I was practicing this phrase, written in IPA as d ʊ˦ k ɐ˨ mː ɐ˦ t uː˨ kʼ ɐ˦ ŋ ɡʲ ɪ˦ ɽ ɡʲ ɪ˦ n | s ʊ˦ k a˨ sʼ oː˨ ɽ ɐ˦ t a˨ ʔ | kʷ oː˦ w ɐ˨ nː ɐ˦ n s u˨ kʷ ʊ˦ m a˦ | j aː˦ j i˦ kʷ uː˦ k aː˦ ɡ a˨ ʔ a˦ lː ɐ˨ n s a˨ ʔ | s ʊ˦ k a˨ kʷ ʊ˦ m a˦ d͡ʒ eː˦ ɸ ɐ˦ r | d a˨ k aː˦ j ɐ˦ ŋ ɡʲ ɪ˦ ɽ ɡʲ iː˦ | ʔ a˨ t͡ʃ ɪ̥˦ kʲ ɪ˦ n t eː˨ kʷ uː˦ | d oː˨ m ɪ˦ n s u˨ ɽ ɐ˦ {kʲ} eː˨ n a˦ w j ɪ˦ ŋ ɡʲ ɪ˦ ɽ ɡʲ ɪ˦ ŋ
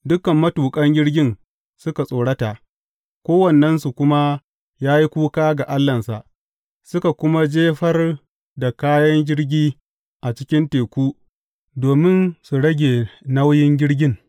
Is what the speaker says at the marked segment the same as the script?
no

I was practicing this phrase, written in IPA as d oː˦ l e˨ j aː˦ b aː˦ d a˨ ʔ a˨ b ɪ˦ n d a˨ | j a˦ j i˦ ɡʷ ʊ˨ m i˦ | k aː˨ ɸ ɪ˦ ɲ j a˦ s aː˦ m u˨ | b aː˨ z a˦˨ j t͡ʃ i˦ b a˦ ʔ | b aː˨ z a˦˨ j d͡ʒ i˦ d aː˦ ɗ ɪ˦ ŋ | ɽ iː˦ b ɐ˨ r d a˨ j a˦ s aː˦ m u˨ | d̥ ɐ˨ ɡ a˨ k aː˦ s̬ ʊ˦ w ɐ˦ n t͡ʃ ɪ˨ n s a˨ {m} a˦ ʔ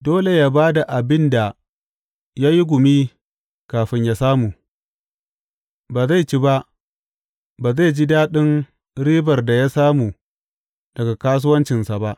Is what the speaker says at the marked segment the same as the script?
no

